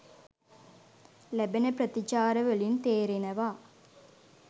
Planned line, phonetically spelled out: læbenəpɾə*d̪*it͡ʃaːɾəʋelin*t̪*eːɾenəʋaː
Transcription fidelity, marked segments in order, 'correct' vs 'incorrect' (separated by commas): incorrect, correct